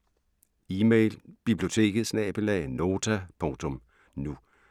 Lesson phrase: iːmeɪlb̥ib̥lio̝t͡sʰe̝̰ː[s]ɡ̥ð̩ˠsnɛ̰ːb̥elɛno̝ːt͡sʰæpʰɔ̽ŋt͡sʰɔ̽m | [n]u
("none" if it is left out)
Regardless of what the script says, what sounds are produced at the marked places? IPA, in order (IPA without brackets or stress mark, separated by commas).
none, n